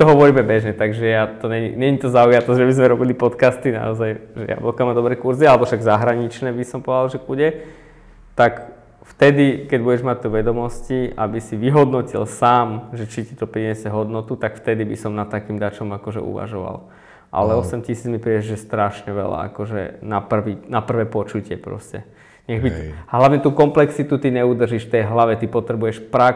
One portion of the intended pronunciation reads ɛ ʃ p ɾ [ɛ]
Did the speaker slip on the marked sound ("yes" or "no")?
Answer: yes